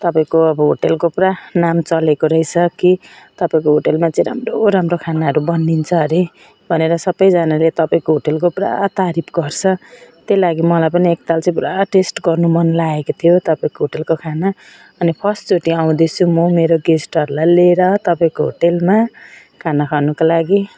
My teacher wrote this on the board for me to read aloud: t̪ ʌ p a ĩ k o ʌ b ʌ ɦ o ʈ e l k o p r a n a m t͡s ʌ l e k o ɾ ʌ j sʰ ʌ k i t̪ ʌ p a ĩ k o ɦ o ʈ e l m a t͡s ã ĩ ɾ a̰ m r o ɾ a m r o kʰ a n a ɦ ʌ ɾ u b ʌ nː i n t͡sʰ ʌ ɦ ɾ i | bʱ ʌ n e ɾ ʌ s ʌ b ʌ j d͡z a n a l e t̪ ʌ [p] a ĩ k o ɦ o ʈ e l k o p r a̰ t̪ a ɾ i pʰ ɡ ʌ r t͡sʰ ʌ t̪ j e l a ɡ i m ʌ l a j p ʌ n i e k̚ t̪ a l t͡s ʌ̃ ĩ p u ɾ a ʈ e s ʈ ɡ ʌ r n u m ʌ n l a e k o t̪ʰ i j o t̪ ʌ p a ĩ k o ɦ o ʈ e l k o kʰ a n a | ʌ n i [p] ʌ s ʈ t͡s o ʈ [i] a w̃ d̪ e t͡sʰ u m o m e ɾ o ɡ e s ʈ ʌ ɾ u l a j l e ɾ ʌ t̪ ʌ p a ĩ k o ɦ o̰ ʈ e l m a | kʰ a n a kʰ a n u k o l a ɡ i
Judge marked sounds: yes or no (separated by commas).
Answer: yes, no, yes